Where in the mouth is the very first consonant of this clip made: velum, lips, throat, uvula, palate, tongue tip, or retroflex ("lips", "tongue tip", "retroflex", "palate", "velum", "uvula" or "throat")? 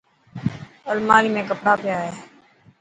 tongue tip